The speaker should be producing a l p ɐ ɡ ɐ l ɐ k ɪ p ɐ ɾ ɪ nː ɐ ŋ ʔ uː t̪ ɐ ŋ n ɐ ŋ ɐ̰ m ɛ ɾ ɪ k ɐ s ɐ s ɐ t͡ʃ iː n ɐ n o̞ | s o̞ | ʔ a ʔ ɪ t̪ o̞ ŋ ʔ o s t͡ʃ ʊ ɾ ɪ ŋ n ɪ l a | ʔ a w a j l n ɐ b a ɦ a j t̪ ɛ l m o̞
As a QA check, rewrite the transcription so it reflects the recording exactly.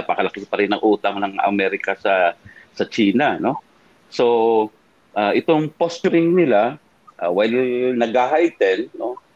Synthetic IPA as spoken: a p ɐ k ɐ l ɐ k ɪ p ɐ ɾ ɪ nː ɐ ŋ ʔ uː t̪ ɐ ŋ n ɐ ŋ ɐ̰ m ɛ ɾ ɪ k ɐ s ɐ s ɐ t͡ʃ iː n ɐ n o̞ | s o̞ | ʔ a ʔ ɪ t̪ o̞ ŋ p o s t͡ʃ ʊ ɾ ɪ ŋ n ɪ l a | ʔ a w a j l n ɐ ɡ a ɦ a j t̪ ɛ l n o̞